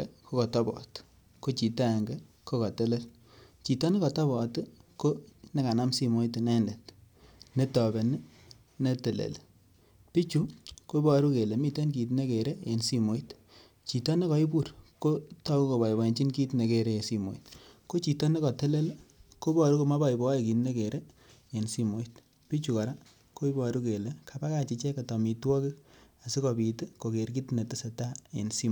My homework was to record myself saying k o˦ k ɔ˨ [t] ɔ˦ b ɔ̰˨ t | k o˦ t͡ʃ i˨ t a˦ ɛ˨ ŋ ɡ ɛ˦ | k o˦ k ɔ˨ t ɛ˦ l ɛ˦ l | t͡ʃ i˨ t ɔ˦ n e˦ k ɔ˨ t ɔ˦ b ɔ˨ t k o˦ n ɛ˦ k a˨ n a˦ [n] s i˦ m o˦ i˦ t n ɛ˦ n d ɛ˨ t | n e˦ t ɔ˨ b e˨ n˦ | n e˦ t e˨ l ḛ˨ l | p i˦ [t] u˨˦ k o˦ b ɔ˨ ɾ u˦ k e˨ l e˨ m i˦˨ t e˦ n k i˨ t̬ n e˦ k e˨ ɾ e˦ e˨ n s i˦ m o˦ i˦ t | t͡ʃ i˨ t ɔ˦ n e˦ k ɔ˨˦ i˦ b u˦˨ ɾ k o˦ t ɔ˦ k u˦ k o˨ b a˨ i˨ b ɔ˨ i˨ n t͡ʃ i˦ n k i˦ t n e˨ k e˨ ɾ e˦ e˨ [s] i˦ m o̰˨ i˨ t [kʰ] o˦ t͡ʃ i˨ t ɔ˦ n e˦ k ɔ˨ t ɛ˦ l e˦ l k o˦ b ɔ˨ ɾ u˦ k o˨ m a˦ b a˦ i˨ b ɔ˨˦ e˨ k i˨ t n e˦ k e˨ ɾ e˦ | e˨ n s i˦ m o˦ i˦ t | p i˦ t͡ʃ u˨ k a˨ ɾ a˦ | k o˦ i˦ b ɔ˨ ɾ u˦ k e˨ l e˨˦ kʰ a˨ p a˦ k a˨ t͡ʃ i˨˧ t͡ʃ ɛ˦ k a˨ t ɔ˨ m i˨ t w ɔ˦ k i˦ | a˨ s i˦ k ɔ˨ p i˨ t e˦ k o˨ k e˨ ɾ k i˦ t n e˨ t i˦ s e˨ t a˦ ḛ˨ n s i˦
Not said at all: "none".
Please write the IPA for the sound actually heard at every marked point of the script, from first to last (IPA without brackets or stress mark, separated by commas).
t, m, t͡ʃ, s, k